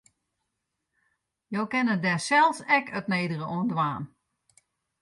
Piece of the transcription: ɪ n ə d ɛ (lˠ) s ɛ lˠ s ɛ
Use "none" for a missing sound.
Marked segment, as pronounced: none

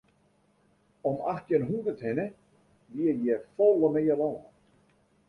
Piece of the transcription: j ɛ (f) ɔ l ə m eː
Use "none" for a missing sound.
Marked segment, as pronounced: f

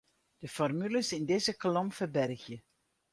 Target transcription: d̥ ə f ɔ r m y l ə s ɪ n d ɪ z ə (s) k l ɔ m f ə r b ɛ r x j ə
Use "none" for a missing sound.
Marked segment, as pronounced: none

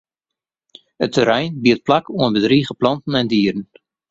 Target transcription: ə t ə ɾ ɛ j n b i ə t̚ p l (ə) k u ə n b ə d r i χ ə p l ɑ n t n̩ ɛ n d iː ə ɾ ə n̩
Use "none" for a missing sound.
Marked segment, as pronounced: a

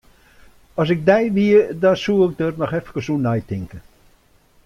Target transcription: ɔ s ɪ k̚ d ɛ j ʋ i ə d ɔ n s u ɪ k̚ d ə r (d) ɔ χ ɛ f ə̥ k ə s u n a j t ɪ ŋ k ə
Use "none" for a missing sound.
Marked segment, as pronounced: n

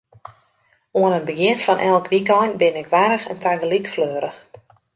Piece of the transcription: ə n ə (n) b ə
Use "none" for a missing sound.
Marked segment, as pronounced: n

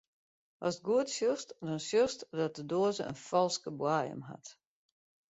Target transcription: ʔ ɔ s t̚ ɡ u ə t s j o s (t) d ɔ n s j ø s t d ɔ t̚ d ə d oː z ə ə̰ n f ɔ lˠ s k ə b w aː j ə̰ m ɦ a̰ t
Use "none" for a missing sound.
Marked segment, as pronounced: t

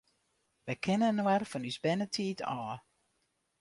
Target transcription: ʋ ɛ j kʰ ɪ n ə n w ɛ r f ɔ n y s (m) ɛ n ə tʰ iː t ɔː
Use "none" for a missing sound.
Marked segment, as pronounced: b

